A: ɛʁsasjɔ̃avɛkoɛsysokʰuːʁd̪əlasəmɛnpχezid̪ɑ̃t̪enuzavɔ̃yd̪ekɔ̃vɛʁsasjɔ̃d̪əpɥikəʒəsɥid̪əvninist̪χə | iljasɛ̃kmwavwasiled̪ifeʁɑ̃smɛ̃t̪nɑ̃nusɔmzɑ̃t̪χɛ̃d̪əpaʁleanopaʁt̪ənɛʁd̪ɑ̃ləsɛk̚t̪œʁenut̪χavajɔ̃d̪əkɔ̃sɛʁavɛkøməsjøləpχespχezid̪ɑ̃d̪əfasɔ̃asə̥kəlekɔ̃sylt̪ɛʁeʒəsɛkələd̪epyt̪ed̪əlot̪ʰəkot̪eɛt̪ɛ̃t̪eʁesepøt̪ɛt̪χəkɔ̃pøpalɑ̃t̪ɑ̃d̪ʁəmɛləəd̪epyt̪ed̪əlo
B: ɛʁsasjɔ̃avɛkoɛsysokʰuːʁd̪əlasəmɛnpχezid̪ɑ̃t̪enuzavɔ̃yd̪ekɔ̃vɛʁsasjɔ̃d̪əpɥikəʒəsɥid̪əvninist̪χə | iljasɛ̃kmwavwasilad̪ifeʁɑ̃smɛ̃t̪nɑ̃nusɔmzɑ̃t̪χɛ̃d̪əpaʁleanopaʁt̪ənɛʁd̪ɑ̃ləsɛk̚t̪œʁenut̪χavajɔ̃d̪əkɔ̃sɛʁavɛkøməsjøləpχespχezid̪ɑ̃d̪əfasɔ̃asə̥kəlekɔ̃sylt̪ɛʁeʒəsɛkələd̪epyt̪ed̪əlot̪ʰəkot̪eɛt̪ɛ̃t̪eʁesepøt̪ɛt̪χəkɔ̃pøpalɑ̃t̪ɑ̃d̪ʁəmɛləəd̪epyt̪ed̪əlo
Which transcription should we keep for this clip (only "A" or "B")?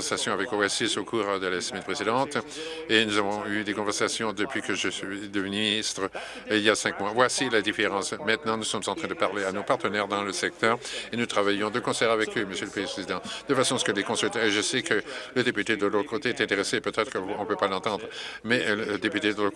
B